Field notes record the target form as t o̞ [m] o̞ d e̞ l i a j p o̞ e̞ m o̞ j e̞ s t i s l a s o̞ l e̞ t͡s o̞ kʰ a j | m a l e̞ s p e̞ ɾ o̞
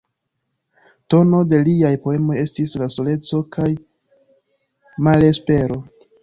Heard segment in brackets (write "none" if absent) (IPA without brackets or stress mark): n